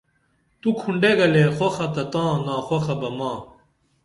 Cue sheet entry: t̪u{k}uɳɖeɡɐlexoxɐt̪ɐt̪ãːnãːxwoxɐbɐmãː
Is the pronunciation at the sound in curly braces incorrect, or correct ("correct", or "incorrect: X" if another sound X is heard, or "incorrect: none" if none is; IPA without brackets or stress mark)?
incorrect: kʰ